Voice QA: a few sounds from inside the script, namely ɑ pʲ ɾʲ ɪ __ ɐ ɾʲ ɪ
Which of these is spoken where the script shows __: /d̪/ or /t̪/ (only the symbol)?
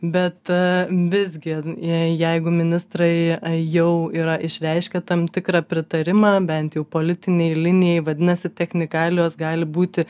t̪